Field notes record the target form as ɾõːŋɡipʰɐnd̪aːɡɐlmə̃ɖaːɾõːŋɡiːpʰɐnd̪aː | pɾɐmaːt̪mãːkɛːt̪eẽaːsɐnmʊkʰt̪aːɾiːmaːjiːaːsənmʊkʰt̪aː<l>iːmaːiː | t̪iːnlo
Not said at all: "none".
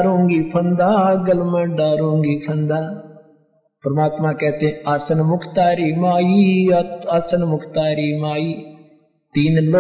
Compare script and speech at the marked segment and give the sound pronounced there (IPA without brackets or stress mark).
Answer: ɾ